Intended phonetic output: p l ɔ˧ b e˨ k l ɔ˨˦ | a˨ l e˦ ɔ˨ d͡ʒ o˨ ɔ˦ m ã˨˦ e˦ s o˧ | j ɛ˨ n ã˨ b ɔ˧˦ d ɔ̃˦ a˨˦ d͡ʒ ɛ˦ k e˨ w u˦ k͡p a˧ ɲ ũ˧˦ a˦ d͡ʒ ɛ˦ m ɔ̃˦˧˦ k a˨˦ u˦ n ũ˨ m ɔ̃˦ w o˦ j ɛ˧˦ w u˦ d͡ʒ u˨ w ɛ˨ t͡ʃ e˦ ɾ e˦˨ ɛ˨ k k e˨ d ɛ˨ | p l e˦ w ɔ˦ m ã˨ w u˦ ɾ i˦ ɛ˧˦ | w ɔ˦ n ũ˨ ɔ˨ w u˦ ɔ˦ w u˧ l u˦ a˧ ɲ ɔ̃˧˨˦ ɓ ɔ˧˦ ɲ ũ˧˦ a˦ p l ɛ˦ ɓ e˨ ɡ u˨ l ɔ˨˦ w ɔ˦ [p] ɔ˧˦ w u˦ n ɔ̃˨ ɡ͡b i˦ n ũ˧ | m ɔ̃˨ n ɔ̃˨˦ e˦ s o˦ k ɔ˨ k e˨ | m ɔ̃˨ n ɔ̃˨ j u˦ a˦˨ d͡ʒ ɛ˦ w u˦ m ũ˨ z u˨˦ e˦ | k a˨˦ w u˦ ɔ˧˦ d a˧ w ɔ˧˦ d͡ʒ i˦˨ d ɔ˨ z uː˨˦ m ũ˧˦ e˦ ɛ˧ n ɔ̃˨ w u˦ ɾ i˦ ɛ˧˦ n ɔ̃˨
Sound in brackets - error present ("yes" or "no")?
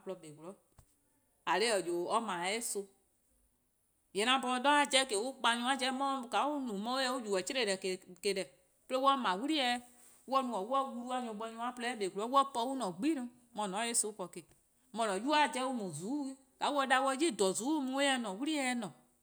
no